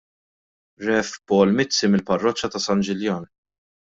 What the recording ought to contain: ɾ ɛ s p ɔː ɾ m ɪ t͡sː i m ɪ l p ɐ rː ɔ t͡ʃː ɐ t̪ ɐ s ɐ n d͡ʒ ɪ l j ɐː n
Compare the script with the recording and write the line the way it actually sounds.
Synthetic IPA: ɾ ɛ f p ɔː l m ɪ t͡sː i m ɪ l p ɐ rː ɔ t͡ʃː ɐ t̪ ɐ s ɐ n d͡ʒ ɪ l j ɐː n

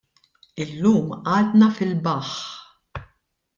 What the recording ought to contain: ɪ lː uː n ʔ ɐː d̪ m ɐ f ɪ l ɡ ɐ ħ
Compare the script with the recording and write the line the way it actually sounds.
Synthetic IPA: ɪ lː uː m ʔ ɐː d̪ n ɐ f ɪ l b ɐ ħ

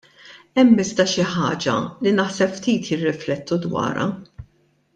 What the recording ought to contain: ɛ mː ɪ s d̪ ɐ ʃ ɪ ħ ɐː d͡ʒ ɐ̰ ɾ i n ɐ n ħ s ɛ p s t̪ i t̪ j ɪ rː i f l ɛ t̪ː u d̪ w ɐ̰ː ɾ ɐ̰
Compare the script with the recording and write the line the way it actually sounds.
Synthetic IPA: ɛ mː ɪ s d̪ ɐ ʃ ɪ ħ ɐː d͡ʒ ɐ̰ l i n ɐ ħ s ɛ p f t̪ iː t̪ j ɪ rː ɪ f l ɛ t̪ː u d̪ w ɐ̰ː ɾ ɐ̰

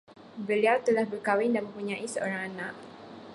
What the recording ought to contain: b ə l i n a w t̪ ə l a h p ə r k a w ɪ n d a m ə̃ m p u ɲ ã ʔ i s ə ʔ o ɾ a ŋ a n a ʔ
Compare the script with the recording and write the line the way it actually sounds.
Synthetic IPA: b ə l i a w t̪ ə l a h b ə r k a w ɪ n d a m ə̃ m p u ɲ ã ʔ i s ə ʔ o ɾ a ŋ a n a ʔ

